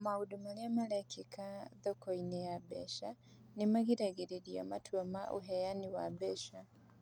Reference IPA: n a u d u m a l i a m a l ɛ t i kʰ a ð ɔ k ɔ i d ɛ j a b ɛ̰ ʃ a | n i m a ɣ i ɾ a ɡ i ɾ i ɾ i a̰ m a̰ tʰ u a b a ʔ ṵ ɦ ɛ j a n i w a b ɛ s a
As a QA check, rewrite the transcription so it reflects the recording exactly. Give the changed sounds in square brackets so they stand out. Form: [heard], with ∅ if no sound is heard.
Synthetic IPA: [m] a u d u m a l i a m a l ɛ [k] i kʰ a ð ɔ k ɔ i [n] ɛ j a b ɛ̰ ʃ a | n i m a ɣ i ɾ a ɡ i ɾ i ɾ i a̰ m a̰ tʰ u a [m] a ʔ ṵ ɦ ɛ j a n i w a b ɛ [ʃ] a